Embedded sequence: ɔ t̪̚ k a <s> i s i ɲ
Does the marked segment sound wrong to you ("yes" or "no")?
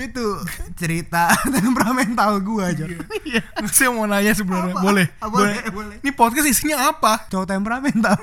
no